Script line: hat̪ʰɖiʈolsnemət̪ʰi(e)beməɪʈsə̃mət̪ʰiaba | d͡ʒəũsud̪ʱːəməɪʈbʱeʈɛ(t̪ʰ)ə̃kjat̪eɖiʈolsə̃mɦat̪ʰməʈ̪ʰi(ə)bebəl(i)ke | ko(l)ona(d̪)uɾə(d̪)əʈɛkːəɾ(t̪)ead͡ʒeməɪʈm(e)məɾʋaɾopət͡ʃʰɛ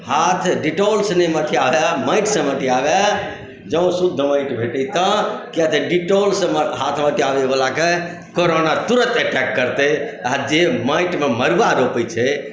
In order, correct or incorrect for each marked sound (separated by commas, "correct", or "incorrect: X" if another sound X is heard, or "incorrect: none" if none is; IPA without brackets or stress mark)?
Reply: incorrect: a, incorrect: t̪, incorrect: a, incorrect: a, incorrect: ɾ, incorrect: t̪, incorrect: t̪, correct, correct